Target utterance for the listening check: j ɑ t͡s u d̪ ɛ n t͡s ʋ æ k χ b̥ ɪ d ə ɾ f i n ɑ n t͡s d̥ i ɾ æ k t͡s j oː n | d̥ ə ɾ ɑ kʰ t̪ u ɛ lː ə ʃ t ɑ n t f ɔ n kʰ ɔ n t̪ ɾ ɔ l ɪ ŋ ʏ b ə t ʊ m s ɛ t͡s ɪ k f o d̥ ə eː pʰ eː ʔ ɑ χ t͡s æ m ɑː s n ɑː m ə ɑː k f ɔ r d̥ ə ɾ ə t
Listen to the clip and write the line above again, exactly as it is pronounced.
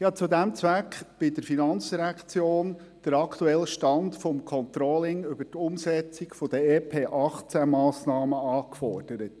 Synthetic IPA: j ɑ t͡s u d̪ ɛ m t͡s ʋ æ k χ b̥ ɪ d ə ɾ f i n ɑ n t͡s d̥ i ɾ æ k t͡s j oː n | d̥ ə ɾ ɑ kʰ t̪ u ɛ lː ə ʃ t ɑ n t f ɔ m kʰ ɔ n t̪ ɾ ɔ l ɪ ŋ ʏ b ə t ʊ m s ɛ t͡s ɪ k f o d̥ ə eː pʰ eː ʔ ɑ χ t͡s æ m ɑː s n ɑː m ə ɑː k f ɔ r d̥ ə ɾ ə t